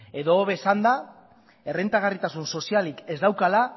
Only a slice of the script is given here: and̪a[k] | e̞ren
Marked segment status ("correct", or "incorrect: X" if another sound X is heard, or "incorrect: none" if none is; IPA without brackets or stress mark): incorrect: none